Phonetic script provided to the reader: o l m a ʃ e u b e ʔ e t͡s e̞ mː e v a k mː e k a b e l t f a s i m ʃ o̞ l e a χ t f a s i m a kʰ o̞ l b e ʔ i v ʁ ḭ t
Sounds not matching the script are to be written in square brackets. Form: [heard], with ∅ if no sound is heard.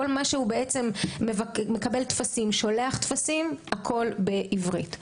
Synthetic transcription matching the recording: o l m a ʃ e u b e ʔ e t͡s e̞ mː e v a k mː e k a b e l t f a s i m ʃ o̞ l e a χ t f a s i m a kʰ o̞ l b e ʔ i v ʁ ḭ t